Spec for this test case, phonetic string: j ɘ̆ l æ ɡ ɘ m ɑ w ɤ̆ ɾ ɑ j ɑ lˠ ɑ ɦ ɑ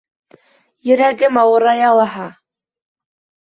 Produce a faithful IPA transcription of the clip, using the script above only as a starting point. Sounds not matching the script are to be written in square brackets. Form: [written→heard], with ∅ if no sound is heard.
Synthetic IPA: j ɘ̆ [l→ɾ] æ ɡ ɘ m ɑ w ɤ̆ ɾ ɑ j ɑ lˠ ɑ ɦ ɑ

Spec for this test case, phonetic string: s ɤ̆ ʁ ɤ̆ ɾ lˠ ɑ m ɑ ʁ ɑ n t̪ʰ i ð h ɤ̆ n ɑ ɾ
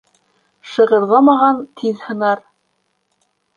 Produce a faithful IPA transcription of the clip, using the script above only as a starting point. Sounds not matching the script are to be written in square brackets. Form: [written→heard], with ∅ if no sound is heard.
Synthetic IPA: [s→ʃ] ɤ̆ ʁ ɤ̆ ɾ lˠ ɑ m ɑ ʁ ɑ n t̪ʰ i ð h ɤ̆ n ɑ ɾ

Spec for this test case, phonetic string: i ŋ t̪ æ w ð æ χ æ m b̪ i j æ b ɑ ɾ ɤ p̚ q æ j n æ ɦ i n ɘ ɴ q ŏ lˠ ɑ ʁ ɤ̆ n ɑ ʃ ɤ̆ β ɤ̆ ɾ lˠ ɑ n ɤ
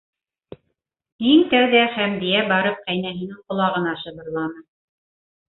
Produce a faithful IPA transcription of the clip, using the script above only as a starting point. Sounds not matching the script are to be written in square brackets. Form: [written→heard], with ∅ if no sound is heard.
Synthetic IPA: i ŋ t̪ æ w ð æ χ æ m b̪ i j æ b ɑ ɾ ɤ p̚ q æ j n æ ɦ i n ɘ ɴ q ŏ lˠ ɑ ʁ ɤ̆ n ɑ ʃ ɤ̆ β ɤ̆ ɾ lˠ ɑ n ɤ

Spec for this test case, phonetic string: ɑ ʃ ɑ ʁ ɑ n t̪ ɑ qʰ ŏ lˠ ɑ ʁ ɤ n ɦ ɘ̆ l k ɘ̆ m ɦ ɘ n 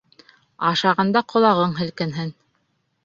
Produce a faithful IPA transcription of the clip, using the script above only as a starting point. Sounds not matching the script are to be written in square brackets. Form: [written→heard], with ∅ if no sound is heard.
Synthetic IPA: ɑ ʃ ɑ ʁ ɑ n [t̪→d̪] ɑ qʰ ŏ lˠ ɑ ʁ ɤ [n→ɴ] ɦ ɘ̆ l k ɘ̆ [m→n] ɦ ɘ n

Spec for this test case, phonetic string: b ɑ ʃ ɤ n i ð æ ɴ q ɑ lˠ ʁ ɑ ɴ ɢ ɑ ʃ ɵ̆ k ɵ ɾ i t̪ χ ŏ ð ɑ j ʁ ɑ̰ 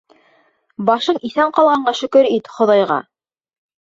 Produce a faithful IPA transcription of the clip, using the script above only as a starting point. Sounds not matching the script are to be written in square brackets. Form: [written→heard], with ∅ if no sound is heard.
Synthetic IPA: b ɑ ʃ ɤ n i [ð→θ] æ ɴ q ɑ lˠ ʁ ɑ ɴ ɢ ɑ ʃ ɵ̆ k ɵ ɾ i t̪ χ ŏ ð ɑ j ʁ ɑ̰

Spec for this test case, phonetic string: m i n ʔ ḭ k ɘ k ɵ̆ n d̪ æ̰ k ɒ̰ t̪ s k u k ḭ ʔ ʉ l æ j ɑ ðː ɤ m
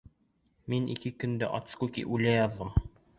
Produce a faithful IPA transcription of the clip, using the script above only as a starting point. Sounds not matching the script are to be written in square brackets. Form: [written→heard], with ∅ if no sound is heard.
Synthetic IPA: m i n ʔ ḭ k ɘ k ɵ̆ n d̪ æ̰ [k→ʔ] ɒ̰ t̪ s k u k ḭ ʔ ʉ l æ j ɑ ðː ɤ m

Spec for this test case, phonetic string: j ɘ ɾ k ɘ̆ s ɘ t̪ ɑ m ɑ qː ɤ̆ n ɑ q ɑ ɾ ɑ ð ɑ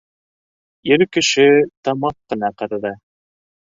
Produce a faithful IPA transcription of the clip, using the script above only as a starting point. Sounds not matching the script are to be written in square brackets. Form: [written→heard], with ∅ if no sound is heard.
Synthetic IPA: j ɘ ɾ k ɘ̆ [s→ʃ] ɘ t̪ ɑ m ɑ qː ɤ̆ n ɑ q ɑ ɾ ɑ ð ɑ

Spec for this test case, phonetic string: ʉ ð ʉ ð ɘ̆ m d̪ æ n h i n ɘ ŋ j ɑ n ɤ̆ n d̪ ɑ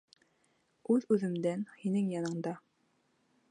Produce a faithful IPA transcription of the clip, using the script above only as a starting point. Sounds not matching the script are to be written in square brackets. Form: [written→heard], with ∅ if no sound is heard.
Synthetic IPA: ʉ ð ʉ ð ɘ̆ m d̪ æ n h i n ɘ ŋ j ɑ n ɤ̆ [n→ɴ] d̪ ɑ

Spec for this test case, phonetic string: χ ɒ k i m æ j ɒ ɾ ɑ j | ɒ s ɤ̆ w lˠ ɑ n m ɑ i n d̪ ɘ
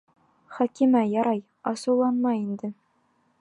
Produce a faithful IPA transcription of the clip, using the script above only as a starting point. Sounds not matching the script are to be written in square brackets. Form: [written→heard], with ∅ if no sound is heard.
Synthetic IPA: χ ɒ k i m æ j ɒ ɾ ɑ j | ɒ s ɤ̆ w lˠ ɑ n m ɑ i n d̪ ɘ

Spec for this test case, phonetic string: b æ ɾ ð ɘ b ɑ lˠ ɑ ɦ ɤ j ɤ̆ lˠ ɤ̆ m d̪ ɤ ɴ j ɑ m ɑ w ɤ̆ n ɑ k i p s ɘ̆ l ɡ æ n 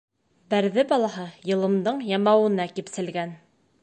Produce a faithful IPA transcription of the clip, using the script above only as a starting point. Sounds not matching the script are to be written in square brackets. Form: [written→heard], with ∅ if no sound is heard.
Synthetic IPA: b æ ɾ ð ɘ b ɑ lˠ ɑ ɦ ɤ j ɤ̆ lˠ ɤ̆ m d̪ ɤ ɴ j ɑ m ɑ w ɤ̆ n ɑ k i p s ɘ̆ l ɡ æ n

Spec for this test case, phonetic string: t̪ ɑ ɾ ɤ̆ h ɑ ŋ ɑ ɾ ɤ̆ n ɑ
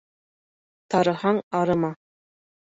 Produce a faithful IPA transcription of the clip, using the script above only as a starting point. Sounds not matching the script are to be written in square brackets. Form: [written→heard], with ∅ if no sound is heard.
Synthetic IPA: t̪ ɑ ɾ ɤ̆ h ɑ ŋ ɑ ɾ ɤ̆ [n→m] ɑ

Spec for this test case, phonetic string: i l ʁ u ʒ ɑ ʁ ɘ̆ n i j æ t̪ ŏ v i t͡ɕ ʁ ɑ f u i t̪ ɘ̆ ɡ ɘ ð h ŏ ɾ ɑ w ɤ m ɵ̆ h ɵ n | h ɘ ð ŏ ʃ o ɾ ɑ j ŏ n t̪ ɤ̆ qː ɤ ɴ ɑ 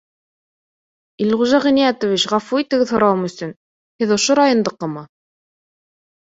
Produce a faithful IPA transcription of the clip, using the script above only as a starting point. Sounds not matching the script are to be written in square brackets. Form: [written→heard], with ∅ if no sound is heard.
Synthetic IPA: i l ʁ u ʒ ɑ ʁ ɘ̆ n i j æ t̪ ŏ v i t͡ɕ ʁ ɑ f u i t̪ ɘ̆ ɡ ɘ ð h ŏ ɾ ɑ w ɤ m ɵ̆ [h→s] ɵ n | h ɘ ð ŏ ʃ o ɾ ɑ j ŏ n [t̪→d̪] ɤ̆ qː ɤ [ɴ→m] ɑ

